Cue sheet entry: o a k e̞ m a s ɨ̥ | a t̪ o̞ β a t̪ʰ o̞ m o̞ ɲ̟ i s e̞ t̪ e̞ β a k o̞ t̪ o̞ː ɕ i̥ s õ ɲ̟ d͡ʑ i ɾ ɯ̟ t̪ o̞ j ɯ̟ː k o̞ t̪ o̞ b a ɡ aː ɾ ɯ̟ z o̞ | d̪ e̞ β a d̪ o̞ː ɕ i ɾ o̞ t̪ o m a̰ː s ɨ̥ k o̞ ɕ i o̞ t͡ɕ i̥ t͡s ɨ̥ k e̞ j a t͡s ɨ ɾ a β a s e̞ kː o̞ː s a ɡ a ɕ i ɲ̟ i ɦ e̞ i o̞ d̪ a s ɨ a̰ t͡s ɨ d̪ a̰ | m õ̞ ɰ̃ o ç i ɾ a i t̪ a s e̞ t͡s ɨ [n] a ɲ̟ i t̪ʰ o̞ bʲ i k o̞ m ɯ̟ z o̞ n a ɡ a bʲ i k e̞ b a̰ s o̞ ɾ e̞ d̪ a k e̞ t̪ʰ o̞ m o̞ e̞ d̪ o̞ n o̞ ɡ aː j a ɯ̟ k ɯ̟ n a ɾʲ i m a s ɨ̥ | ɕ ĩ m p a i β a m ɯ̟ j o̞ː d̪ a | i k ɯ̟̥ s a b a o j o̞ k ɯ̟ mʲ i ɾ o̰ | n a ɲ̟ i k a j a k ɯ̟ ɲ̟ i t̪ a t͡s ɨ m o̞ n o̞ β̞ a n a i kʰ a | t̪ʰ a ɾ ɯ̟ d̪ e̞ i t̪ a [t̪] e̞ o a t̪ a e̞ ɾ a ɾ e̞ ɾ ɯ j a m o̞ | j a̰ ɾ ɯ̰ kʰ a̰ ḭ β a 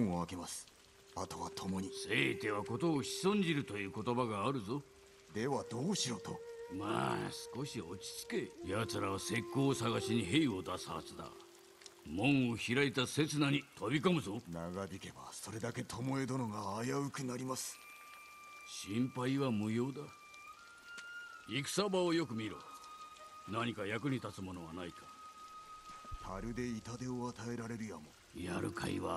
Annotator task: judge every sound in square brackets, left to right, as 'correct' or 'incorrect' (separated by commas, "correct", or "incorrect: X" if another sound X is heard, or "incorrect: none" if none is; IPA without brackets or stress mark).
correct, incorrect: d̪